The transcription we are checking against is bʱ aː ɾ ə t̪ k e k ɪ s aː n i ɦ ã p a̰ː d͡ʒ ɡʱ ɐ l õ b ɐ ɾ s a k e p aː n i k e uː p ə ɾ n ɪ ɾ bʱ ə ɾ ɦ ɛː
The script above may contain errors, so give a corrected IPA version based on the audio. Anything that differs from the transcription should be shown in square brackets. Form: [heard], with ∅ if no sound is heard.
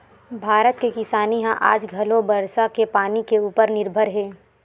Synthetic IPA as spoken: bʱ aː ɾ ə t̪ k e k ɪ s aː n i ɦ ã [ʔ] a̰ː d͡ʒ ɡʱ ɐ l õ b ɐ ɾ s a k e p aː n i k e uː p ə ɾ n ɪ ɾ bʱ ə ɾ ɦ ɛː